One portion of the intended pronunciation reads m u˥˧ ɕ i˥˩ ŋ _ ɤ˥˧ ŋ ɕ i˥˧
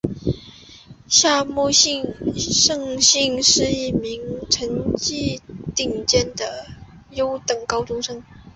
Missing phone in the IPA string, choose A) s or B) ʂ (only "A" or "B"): B